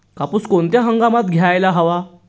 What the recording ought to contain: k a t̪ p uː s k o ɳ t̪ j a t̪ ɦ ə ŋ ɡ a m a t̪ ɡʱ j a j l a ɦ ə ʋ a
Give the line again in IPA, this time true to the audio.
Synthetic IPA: k a p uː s k o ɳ t̪ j a ɦ ə ŋ ɡ a m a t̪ ɡʱ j a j l a ɦ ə ʋ a